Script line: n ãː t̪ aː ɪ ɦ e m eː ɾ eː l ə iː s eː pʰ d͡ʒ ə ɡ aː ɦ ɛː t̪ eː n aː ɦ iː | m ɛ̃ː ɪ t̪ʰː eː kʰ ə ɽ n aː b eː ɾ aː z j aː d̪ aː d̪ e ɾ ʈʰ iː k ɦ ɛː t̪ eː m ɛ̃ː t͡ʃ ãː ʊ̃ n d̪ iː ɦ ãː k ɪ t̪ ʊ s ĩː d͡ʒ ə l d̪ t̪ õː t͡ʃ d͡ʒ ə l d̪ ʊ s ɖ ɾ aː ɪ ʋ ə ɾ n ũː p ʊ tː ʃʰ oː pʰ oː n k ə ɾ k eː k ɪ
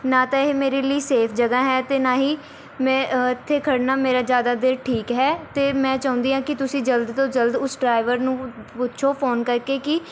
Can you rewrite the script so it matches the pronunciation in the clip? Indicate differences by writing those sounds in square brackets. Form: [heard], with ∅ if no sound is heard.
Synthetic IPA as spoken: n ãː t̪ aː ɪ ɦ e m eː ɾ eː l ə iː s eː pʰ d͡ʒ ə ɡ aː ɦ ɛː t̪ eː n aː ɦ iː | m ɛ̃ː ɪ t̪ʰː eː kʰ ə ɽ n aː [m] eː ɾ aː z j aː d̪ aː d̪ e ɾ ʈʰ iː k ɦ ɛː t̪ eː m ɛ̃ː t͡ʃ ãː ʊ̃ n d̪ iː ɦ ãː k ɪ t̪ ʊ s ĩː d͡ʒ ə l d̪ t̪ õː [∅] d͡ʒ ə l d̪ ʊ s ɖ ɾ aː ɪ ʋ ə ɾ n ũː p ʊ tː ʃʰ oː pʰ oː n k ə ɾ k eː k ɪ